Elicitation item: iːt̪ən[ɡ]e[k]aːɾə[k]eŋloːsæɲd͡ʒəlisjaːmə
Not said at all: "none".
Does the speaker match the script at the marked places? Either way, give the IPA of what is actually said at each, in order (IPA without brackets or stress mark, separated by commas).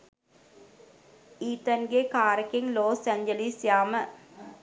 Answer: ɡ, k, k